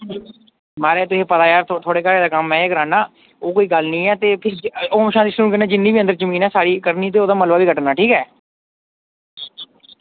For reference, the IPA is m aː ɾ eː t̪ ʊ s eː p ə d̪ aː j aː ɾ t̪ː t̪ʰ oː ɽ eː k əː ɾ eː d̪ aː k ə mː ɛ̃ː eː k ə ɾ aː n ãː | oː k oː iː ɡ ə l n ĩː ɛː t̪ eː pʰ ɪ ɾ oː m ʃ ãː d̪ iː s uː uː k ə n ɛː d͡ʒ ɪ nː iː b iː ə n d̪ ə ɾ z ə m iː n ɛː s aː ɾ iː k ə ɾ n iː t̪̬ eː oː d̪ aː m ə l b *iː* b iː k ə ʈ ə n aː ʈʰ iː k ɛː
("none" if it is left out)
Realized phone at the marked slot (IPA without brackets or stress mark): aː